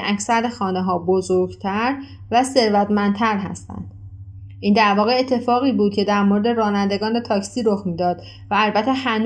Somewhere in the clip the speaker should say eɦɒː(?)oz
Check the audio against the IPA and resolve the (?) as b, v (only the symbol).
b